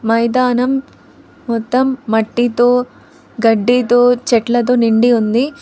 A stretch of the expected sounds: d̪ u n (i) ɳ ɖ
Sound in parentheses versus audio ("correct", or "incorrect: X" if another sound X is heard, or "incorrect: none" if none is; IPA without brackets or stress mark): correct